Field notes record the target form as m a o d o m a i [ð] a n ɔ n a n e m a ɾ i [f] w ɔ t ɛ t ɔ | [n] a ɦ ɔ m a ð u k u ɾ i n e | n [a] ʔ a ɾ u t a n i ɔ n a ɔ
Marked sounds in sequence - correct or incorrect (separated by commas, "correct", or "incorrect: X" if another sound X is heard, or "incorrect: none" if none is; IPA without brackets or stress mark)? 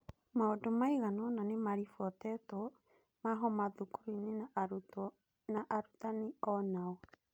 incorrect: ɣ, correct, incorrect: m, correct